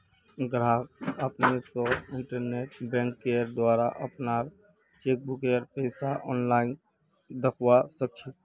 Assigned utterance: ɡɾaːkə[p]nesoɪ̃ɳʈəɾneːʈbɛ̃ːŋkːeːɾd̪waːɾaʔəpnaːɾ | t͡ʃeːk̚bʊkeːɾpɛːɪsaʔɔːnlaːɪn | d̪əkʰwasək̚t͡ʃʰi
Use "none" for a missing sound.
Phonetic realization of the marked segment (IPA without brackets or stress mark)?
p